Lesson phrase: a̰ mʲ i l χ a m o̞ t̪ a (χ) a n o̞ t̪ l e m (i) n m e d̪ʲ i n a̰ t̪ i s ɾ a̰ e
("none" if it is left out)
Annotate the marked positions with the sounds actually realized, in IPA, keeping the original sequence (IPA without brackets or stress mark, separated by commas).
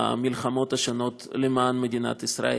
ʃ, a